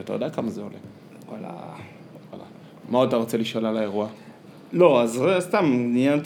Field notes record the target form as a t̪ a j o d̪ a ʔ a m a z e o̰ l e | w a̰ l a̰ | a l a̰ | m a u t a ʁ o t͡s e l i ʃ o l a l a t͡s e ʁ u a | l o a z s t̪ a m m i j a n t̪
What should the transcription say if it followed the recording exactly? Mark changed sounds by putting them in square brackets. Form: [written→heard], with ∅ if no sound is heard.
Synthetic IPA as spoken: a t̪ a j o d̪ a [ʔ→k] a m a z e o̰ l e | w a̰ l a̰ | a l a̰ | m a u t a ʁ o t͡s e l i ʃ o l a l a [t͡s→∅] e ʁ u a | l o a z s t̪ a m [m→n] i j a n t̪